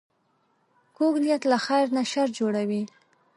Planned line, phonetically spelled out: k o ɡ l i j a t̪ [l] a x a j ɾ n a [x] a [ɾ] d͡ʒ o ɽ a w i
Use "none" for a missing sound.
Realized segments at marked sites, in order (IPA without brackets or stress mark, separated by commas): l, ʃ, ɾ